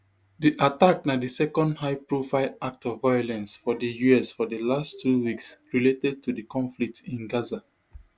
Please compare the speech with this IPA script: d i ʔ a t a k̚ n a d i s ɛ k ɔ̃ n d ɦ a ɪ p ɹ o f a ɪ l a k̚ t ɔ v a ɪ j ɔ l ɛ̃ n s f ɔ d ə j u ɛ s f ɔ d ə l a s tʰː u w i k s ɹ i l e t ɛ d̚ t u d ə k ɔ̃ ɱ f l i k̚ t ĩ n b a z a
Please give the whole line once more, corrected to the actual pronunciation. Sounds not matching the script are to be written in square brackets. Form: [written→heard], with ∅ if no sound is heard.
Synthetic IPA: d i ʔ a t a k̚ n a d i s ɛ k ɔ̃ n d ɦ a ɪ p ɹ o f a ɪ l a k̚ t ɔ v a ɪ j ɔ l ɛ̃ n s f ɔ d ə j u ɛ s f ɔ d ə l a s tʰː u w i k s ɹ i l e t ɛ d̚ t u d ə k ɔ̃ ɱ f l i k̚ t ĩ n [b→ɡ] a z a